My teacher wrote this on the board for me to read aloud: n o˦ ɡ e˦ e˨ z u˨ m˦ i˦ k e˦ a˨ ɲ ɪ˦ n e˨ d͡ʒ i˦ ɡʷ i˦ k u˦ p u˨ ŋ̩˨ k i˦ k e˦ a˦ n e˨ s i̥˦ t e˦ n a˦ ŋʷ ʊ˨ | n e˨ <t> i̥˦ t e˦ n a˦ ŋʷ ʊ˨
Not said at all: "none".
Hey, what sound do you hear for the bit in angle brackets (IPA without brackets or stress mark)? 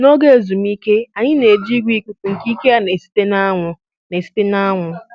s